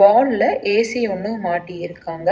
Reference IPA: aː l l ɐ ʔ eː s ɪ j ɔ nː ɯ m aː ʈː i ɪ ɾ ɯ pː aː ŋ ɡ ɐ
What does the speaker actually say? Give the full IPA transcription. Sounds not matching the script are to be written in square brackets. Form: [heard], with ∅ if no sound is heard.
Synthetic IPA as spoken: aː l l ɐ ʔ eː s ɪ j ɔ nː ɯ m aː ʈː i ɪ ɾ ɯ [kː] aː ŋ ɡ ɐ

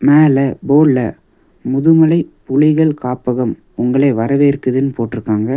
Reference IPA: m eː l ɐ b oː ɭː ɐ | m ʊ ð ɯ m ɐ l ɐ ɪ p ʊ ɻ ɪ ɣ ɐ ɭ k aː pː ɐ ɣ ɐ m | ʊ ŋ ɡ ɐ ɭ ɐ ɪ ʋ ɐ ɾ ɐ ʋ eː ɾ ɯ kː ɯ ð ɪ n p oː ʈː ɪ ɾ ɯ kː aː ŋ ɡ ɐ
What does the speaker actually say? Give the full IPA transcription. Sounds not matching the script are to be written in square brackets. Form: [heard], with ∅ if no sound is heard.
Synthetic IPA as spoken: m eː l ɐ b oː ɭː ɐ | m ʊ ð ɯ m ɐ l ɐ ɪ p ʊ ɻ ɪ ɣ ɐ ɭ k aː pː ɐ ɣ ɐ m | ʊ ŋ ɡ ɐ ɭ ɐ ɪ ʋ ɐ ɾ ɐ ʋ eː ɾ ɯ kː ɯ ð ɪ n p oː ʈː ɪ ɾ ɯ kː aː ŋ ɡ ɐ

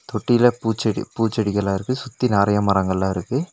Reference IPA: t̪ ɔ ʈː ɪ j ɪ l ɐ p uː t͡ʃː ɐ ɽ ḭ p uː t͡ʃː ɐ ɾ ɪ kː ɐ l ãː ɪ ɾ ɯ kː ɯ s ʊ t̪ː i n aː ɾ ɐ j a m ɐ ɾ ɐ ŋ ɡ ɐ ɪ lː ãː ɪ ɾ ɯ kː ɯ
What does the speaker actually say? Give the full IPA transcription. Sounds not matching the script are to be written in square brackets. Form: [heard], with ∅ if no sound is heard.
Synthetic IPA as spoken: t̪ ɔ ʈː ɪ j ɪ l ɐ p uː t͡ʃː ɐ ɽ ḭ p uː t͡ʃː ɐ [ɽ] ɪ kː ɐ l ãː ɪ ɾ ɯ kː ɯ s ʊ t̪ː i n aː ɾ ɐ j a m ɐ ɾ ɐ ŋ ɡ ɐ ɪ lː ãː ɪ ɾ ɯ kː ɯ

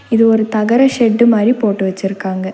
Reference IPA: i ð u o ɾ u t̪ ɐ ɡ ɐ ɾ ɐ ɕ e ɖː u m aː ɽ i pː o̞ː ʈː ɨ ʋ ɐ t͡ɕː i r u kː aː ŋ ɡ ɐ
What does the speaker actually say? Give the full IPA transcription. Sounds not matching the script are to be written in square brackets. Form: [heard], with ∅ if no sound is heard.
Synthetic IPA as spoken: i ð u o ɾ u t̪ ɐ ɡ ɐ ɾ ɐ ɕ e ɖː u m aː [ɾ] i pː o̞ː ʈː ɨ ʋ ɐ t͡ɕː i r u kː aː ŋ ɡ ɐ

